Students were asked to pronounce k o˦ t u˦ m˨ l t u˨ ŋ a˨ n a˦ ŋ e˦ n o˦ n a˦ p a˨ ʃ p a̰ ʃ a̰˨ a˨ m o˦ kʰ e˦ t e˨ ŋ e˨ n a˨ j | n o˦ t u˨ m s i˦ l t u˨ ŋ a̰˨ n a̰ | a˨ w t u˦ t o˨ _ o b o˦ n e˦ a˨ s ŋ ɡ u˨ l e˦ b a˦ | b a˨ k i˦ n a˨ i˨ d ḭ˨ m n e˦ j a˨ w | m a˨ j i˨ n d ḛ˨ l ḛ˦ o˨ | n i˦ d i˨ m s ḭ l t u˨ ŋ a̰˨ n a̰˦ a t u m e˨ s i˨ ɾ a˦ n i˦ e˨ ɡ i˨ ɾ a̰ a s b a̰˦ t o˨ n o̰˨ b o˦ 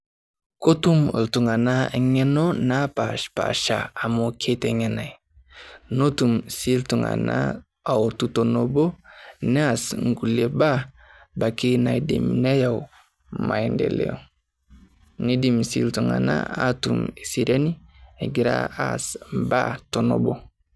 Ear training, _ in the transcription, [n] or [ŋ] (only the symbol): n